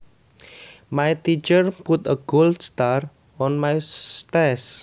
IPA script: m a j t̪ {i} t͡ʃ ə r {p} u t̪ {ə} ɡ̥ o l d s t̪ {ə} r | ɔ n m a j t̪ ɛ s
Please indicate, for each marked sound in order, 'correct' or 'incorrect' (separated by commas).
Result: correct, correct, correct, incorrect